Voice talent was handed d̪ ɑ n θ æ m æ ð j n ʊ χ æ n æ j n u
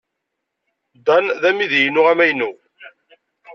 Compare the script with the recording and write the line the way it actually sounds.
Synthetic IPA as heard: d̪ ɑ n ð æ m i ð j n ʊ ʁ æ m æ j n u